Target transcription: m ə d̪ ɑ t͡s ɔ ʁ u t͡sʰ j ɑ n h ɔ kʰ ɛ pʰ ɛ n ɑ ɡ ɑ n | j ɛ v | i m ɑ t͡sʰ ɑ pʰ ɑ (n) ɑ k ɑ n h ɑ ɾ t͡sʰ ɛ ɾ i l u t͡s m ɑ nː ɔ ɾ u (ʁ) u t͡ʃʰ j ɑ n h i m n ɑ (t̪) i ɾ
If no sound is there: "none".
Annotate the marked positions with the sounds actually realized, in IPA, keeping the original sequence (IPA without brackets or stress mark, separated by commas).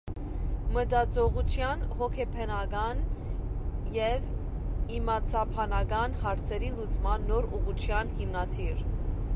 n, ʁ, t̪ʰ